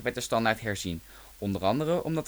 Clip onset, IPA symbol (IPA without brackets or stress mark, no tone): ʋ